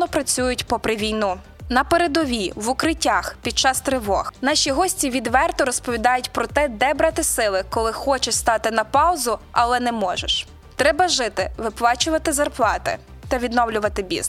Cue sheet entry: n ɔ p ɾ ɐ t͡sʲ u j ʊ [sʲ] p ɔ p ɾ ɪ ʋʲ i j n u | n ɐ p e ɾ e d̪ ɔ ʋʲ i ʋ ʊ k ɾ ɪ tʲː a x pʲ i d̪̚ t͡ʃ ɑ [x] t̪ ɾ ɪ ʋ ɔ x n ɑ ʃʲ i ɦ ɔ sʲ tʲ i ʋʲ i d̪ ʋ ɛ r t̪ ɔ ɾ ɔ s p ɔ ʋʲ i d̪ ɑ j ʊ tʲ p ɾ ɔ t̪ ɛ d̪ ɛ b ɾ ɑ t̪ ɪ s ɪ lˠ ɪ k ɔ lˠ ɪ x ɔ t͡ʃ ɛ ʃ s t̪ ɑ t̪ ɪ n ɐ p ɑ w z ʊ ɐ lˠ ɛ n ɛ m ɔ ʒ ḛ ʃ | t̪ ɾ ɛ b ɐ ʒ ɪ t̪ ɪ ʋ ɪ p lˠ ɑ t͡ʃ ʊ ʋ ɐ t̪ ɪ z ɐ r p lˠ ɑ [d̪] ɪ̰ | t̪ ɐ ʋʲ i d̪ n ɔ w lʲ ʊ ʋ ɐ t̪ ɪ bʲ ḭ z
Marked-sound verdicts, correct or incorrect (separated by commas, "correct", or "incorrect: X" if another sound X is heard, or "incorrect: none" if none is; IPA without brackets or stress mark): incorrect: tʲ, incorrect: s, incorrect: t̪